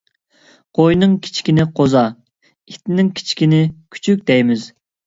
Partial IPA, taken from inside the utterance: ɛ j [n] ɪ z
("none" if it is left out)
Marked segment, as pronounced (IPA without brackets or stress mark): m